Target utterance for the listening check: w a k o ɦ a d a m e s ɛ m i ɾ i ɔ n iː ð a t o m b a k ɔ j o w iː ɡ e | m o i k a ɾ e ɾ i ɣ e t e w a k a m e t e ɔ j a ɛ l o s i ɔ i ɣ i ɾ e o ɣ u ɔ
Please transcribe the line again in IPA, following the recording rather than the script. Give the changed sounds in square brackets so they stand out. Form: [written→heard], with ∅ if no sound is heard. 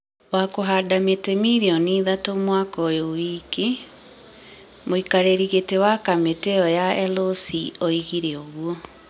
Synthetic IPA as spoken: w a k o ɦ a d a m e [s→t] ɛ m i ɾ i ɔ n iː ð a t o m [b→w] a k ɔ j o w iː [ɡ→k] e | m o i k a ɾ e ɾ i ɣ e t e w a k a m e t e ɔ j a ɛ l o s i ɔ i ɣ i ɾ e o ɣ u ɔ